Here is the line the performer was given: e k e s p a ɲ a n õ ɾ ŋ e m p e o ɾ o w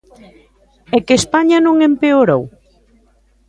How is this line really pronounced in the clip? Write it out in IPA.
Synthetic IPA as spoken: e k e s p a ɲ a n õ ŋ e m p e o ɾ o w